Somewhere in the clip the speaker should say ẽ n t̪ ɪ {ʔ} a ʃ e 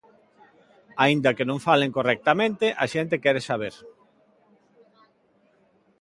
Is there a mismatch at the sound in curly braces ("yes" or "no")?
no